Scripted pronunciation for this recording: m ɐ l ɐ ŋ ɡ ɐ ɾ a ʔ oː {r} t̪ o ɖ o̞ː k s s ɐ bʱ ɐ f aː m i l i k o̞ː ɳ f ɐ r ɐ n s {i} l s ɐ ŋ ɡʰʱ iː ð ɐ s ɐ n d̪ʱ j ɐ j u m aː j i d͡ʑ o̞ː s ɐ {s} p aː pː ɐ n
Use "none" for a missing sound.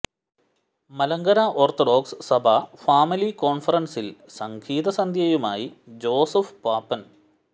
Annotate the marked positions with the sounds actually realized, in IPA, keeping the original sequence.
r, i, f

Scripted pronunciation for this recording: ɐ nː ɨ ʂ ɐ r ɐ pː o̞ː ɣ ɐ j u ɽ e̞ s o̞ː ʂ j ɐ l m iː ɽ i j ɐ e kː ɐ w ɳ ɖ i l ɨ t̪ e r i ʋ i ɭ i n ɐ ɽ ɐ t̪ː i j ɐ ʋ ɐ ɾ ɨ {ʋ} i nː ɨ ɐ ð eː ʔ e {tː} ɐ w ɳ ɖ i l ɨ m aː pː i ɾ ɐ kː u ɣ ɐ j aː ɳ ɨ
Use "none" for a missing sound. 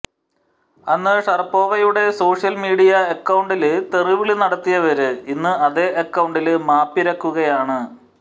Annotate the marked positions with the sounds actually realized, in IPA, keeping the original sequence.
none, kː

